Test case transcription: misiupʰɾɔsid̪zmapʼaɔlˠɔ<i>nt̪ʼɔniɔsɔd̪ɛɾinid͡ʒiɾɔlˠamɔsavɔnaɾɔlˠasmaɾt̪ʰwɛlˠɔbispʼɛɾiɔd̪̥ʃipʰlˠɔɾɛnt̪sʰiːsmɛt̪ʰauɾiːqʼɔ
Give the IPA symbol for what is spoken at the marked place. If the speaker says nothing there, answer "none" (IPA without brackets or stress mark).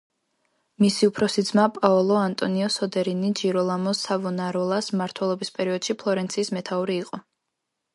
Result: a